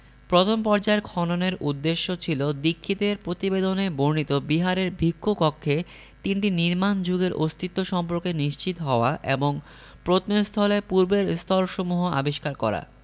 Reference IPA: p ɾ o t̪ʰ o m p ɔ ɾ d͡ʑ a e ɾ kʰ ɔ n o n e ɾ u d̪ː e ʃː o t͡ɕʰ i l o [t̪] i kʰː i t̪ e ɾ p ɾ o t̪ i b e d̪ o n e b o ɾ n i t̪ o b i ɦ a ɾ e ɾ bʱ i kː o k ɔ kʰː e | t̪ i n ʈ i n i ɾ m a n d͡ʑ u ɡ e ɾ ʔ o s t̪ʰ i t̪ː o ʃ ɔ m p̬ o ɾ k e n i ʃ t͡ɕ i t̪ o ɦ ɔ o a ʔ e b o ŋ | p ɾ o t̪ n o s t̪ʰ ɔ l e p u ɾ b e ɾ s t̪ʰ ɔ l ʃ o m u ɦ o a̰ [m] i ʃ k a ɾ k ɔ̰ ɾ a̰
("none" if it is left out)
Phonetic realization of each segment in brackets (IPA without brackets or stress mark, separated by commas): d̪, b